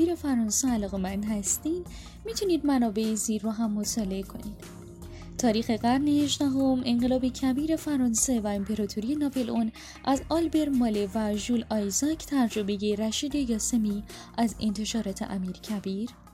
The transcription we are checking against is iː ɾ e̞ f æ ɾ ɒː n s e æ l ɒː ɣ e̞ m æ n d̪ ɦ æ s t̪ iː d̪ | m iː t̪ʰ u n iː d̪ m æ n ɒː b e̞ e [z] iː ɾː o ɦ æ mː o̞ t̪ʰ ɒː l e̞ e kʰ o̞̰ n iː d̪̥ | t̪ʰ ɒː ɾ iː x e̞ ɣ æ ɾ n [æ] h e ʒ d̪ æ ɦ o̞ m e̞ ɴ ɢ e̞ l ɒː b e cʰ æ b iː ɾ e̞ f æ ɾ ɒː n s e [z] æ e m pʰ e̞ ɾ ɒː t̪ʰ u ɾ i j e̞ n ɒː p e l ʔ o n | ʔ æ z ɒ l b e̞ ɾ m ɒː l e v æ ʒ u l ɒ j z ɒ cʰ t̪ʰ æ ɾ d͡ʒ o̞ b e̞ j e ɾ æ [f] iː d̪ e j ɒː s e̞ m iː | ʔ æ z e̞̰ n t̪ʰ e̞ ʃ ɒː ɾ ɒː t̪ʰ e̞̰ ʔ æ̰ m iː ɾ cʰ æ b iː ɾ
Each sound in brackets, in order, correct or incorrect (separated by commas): correct, incorrect, incorrect, incorrect